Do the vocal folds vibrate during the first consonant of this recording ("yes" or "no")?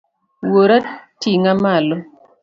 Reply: yes